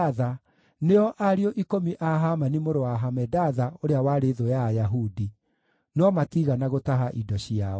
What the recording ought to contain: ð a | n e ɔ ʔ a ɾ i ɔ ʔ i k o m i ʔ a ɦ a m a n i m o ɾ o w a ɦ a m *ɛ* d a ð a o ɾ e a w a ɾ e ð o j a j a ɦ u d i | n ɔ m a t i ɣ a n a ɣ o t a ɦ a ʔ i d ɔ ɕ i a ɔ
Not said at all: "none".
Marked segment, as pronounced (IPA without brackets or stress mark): ɛ